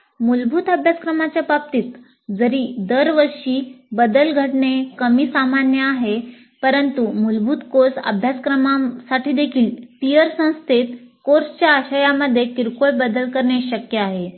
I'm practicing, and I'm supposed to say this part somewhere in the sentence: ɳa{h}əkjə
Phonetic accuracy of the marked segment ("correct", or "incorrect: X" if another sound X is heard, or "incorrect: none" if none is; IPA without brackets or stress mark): incorrect: ɕ